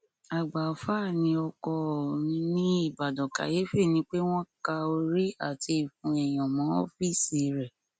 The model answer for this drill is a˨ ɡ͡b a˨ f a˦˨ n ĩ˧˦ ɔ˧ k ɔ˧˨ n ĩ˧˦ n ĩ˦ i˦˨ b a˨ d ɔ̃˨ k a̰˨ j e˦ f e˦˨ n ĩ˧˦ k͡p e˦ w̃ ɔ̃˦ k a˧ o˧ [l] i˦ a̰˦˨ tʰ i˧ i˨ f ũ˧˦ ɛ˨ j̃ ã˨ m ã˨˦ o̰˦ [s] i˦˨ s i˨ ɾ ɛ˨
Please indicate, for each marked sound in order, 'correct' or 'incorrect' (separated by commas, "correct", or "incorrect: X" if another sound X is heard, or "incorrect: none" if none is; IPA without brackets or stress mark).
incorrect: ɾ, incorrect: f